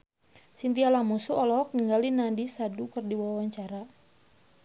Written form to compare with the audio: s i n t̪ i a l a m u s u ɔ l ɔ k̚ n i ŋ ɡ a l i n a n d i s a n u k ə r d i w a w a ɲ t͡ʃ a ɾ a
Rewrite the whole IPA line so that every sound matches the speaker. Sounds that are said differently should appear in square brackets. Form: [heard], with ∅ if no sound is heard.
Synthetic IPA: s i n t̪ i a l a m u s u ɔ l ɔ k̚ n i ŋ ɡ a l i n a n d i s a [d] u k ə r d i w a w a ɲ t͡ʃ a ɾ a